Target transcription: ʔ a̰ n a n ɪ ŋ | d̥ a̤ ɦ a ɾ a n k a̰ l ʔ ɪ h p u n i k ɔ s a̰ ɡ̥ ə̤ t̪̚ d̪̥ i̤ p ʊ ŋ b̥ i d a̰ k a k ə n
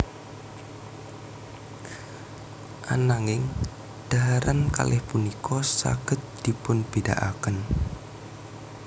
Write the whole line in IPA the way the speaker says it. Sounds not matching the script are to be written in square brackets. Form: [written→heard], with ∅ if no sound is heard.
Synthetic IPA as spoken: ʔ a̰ n a [n→ŋ] ɪ ŋ | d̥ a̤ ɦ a ɾ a n k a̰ l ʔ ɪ h p u n i k ɔ s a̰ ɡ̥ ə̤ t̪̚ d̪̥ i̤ p ʊ [ŋ→n] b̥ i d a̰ [k→ʔ] a k ə n